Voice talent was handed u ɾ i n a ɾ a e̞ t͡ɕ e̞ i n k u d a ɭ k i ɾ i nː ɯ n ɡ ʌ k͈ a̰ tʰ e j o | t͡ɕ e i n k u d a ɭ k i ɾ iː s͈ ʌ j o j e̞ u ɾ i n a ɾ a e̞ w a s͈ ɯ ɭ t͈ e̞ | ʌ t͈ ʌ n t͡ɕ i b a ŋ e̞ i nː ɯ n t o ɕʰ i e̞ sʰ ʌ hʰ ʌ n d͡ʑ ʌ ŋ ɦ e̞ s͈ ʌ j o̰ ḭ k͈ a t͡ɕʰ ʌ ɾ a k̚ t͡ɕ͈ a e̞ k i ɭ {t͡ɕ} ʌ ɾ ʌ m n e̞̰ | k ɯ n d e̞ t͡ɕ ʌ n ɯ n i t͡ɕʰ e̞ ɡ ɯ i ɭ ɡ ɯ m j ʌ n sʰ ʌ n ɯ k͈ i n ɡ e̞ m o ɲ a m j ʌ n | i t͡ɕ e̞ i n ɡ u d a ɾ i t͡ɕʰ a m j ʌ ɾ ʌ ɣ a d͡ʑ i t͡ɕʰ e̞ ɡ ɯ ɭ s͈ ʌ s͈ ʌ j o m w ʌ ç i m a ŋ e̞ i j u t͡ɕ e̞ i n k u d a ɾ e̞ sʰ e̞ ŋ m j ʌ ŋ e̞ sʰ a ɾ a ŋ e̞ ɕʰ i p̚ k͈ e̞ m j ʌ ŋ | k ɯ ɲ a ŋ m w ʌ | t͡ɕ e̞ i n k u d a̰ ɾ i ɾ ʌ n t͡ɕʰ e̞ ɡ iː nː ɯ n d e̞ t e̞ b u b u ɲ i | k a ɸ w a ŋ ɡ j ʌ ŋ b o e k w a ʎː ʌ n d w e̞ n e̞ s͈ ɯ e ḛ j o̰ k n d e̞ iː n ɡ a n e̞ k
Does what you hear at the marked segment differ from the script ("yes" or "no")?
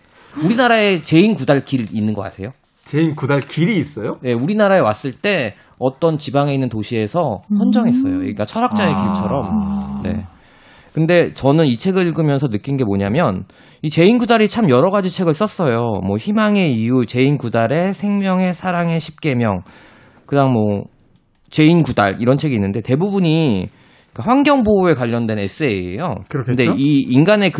yes